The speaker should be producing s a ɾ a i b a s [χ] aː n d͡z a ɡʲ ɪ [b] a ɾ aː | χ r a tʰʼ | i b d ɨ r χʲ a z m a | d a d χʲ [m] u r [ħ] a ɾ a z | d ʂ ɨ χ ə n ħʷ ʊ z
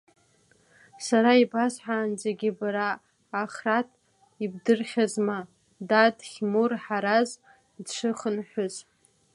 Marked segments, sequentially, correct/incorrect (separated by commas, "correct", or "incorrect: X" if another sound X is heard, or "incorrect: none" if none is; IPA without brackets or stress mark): incorrect: ħ, correct, correct, correct